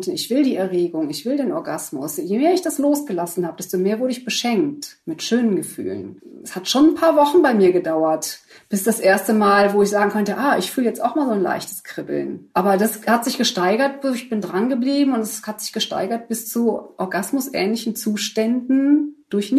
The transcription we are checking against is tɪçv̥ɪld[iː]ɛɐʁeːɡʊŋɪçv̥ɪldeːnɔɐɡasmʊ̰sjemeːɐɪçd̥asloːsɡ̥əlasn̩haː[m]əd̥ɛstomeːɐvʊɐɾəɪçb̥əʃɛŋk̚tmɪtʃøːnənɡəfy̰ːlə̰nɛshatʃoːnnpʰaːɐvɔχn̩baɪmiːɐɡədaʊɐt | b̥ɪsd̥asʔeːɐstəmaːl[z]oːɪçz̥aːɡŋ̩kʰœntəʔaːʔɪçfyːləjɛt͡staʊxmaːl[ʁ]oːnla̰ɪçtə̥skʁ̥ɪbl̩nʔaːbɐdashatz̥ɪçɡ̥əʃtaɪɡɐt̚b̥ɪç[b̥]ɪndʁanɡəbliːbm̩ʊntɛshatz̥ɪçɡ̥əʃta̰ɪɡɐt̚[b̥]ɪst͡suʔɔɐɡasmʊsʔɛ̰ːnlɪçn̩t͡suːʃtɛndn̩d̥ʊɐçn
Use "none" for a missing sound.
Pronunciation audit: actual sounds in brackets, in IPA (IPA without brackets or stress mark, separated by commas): iː, b, v, z, b̥, b̥